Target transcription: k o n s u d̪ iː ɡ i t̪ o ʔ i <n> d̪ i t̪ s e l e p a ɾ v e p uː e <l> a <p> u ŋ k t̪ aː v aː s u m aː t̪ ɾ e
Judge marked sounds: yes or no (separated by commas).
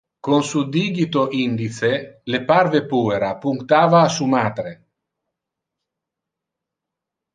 yes, no, yes